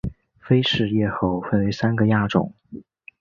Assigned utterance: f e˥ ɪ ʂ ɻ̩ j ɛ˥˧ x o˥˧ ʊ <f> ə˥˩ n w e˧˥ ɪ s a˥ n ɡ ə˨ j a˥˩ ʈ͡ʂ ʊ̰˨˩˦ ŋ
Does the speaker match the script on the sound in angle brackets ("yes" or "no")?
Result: yes